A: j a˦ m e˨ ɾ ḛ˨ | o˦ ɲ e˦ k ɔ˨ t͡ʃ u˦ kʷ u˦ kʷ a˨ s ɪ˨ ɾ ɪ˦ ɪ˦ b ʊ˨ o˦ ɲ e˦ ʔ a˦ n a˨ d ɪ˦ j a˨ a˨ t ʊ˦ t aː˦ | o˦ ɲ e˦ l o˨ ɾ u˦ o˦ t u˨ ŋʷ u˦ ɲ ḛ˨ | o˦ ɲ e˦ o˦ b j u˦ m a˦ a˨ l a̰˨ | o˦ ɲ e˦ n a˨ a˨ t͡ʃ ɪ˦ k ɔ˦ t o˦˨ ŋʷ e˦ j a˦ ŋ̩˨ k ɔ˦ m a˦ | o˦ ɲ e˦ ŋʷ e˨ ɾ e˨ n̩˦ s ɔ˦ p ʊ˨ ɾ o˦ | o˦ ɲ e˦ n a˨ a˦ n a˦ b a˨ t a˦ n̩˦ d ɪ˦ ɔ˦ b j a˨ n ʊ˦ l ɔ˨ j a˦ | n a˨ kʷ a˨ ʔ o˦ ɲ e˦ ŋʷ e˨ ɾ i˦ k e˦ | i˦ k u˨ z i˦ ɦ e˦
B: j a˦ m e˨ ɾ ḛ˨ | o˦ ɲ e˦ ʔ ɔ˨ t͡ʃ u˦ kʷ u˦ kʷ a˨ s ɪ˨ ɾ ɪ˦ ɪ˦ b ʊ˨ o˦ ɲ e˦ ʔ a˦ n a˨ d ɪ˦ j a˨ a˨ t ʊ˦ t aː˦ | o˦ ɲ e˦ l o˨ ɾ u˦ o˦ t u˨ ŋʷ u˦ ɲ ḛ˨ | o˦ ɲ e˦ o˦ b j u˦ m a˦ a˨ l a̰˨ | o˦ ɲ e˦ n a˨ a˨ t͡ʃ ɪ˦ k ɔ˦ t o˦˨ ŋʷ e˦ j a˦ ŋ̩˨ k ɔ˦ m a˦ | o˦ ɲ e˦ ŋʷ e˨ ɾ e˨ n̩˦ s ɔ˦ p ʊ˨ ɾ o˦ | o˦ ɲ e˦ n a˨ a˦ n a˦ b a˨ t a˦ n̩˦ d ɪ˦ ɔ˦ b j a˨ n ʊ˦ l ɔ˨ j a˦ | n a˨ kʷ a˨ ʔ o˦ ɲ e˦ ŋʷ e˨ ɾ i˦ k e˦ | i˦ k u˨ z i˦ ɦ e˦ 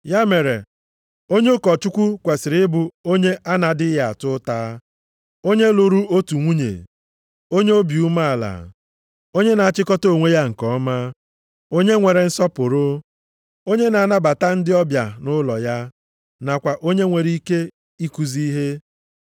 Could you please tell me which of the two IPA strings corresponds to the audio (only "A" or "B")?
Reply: A